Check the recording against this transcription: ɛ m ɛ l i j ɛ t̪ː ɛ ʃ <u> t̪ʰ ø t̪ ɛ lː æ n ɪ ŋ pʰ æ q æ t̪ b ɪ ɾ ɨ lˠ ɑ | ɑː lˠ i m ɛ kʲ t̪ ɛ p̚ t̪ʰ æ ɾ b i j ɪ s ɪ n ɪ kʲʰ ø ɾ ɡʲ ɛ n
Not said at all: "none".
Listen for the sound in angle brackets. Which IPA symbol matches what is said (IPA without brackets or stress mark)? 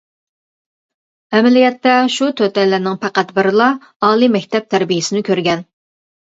u